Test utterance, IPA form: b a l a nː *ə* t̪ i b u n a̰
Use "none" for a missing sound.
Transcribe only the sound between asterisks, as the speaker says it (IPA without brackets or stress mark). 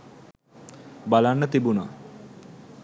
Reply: ə